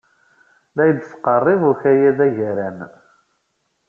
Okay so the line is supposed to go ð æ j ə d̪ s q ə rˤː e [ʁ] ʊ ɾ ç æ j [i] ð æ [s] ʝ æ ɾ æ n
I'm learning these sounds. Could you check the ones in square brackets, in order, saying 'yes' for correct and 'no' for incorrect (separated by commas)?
no, no, no